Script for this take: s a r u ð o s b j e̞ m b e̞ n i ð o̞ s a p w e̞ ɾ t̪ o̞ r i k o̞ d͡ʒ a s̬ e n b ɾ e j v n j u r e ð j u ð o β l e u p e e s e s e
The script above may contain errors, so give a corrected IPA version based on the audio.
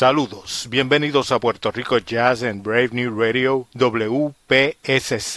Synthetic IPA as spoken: s a l u ð o s b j e̞ m b e̞ n i ð o̞ s a p w e̞ ɾ t̪ o̞ r i k o̞ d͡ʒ a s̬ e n b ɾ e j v n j u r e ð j o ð o β l e u p e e s e s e